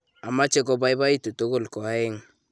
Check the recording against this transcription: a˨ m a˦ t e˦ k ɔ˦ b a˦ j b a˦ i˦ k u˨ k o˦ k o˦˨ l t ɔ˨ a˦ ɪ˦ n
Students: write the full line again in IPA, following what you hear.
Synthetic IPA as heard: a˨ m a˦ t͡ʃ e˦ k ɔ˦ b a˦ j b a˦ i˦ t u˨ t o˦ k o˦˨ l k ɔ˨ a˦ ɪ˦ ŋ